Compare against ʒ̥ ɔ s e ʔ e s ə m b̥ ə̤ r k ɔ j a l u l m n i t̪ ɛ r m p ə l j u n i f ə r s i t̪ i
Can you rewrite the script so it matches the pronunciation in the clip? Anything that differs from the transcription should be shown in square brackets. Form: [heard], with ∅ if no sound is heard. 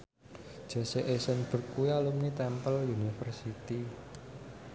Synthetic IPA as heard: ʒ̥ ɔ s e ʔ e s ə [n] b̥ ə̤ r k [u] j a l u [∅] m n i t̪ ɛ [∅] m p ə l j u n i f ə r s i t̪ i